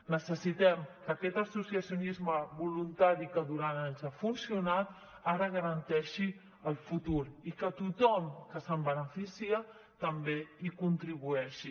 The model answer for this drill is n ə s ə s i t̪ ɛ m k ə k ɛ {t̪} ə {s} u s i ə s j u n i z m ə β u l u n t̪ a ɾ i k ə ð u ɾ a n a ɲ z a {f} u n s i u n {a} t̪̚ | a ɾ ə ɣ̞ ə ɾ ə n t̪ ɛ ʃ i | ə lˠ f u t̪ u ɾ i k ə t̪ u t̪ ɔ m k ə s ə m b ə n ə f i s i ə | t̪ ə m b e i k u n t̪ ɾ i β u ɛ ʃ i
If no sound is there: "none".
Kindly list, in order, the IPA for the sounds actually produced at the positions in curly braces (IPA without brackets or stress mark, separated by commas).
t̪, s, f, a